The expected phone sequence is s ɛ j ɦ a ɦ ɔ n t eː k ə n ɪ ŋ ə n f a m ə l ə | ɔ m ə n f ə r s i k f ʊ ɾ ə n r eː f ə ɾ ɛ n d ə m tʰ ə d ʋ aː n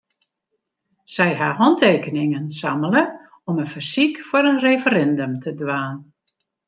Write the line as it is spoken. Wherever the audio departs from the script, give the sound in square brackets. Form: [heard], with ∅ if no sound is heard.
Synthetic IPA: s ɛ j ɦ a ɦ ɔ n t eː k ə n ɪ ŋ ə n [s] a m ə l ə | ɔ m ə n f ə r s i k f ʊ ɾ ə n r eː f ə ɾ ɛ n d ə m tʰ ə d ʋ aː n